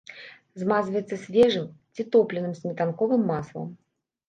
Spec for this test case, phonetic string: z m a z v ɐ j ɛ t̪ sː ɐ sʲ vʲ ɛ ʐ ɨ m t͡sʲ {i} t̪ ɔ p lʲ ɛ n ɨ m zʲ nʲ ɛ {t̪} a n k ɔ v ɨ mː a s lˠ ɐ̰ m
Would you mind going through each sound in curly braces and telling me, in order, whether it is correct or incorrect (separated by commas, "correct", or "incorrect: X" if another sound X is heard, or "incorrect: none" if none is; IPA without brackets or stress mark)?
correct, correct